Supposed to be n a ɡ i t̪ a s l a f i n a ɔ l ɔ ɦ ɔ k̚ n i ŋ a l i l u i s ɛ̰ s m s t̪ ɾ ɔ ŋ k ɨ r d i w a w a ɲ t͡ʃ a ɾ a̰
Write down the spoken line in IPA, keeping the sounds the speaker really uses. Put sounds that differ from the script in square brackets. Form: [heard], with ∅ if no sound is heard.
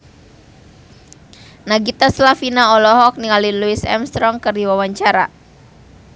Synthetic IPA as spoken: n a ɡ i t̪ a s l a f i n a ɔ l ɔ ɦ ɔ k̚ n i ŋ a l i l u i s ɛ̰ [∅] m s t̪ ɾ ɔ ŋ k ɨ r d i w a w a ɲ t͡ʃ a ɾ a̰